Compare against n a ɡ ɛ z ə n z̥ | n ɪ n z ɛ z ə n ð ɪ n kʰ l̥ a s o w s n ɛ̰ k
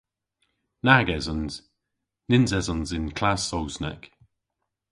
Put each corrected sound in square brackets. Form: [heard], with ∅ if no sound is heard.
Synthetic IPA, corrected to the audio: n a ɡ ɛ z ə n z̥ | n ɪ n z ɛ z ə n [z] ɪ n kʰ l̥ a s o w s n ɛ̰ k

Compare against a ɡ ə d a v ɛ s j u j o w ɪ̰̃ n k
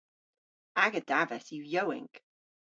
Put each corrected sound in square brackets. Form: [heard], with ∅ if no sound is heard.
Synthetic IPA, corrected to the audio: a ɡ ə d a v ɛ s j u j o w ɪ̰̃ [ŋ] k

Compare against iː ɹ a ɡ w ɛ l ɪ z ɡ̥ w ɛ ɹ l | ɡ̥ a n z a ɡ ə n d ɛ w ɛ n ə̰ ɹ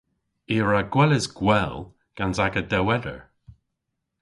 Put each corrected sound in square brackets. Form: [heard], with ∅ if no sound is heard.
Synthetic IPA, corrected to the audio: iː ɹ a ɡ w ɛ l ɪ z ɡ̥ w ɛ [∅] l | ɡ̥ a n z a ɡ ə [∅] d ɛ w ɛ [d] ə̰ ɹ

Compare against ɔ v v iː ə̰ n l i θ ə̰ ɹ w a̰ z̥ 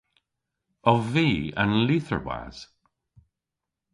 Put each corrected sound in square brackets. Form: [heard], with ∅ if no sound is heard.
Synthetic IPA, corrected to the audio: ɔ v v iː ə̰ n l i θ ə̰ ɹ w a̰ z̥

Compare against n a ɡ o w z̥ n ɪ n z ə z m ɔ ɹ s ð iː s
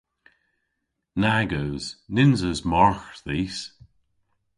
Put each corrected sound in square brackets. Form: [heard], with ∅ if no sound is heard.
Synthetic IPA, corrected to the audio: n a ɡ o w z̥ n ɪ n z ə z m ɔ ɹ [x] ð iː s

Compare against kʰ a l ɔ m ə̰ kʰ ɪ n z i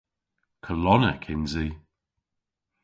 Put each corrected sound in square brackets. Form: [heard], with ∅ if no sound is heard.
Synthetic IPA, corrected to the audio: kʰ [ə] l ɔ [n] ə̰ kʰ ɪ n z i

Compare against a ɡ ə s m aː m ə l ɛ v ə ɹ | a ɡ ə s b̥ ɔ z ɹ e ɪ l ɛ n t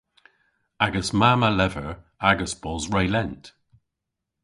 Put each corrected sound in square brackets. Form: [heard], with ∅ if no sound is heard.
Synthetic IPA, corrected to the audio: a ɡ ə s m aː m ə l ɛ v ə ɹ | a ɡ ə s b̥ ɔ z ɹ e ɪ l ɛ n t

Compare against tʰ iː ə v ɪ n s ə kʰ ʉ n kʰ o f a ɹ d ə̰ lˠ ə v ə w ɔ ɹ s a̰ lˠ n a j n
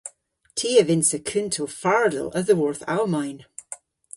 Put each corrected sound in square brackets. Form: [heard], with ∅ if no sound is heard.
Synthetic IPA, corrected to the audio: tʰ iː ə v ɪ n s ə kʰ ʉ n [tʰ] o f a ɹ d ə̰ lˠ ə [ð] ə w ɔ ɹ [θ] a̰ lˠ [m] a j n

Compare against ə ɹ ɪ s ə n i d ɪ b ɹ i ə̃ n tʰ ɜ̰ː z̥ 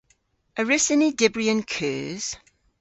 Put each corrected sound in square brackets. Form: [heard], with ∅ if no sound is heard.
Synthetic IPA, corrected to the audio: ə ɹ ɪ s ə n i d ɪ b ɹ i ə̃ n [kʰ] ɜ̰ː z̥

